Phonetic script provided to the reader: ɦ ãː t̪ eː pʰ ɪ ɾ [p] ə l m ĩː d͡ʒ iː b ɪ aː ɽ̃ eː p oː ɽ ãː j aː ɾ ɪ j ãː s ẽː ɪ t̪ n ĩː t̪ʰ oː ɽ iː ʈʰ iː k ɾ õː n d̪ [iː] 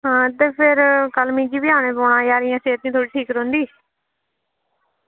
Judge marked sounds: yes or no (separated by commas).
no, yes